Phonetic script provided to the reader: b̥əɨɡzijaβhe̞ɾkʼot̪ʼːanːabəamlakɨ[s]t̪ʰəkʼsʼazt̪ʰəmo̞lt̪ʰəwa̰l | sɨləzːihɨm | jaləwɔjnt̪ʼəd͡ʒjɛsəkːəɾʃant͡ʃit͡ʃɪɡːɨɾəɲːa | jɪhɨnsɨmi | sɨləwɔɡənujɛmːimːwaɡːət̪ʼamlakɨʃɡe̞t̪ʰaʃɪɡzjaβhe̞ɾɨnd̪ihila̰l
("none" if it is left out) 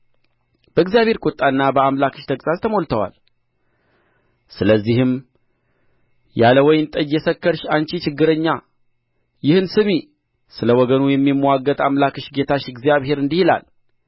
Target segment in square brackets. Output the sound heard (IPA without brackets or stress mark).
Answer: ʃ